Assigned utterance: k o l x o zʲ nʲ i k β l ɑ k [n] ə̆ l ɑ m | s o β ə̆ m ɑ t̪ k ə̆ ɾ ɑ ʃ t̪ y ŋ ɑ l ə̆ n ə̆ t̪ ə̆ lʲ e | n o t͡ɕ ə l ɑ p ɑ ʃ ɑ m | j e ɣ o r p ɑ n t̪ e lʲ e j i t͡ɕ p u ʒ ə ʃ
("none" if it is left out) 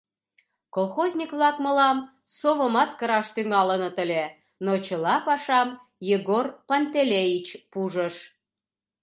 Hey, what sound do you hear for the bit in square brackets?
m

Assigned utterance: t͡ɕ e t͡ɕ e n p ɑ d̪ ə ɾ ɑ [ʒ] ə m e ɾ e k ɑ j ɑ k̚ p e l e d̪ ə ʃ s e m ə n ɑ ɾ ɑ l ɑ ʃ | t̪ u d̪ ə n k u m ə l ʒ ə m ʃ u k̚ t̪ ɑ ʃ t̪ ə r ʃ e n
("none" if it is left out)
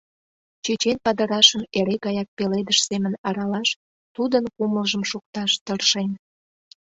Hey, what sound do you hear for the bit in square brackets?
ʃ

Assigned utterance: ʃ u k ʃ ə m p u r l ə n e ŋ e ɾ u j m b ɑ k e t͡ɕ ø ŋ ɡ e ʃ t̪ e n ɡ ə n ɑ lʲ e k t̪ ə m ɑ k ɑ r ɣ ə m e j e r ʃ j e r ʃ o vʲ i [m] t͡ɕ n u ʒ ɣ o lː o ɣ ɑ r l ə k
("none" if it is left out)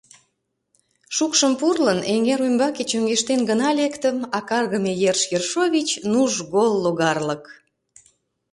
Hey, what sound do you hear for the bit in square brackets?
none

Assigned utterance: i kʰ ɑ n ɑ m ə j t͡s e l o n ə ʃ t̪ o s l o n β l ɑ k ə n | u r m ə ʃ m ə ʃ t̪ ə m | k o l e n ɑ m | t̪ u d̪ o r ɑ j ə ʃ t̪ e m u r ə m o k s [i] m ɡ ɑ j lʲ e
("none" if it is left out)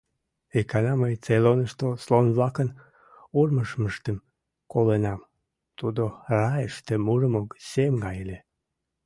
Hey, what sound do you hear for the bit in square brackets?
e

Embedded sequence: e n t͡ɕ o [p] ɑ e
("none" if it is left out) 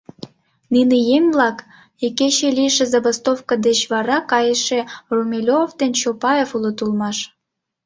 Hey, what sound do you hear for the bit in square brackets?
p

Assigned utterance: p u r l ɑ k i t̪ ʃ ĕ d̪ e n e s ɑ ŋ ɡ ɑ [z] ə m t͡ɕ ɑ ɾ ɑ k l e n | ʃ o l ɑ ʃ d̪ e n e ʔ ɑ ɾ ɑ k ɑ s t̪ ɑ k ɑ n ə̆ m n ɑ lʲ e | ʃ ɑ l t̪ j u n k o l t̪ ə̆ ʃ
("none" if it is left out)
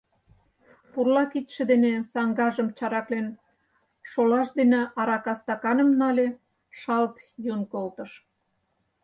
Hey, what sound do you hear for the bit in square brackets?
ʒ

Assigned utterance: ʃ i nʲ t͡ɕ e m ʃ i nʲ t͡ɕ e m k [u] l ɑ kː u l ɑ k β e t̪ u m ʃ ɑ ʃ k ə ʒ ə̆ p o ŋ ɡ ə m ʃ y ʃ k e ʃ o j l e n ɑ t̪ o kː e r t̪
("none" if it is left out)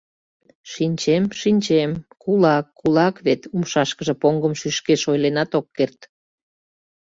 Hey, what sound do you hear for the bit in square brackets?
u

